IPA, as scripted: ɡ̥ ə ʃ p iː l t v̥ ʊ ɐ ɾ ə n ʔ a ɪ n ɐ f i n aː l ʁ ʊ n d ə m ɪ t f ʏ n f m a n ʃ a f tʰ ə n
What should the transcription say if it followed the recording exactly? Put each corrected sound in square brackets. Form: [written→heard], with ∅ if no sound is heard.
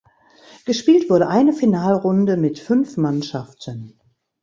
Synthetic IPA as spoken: ɡ̥ ə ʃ p iː l t v̥ ʊ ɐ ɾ ə [n→∅] ʔ a ɪ n [ɐ→ə] f i n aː l ʁ ʊ n d ə m ɪ t f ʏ n f m a n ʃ a f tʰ ə n